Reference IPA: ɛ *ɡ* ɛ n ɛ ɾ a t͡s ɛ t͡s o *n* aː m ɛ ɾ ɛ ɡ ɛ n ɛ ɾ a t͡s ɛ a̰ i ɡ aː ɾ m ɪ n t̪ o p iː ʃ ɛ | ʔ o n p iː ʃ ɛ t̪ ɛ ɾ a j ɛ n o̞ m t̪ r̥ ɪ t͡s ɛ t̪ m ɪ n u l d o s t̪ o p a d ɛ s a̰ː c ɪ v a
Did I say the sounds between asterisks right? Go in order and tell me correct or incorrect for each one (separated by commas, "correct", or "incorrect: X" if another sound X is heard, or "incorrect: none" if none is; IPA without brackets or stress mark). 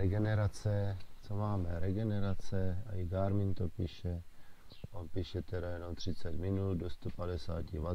correct, incorrect: m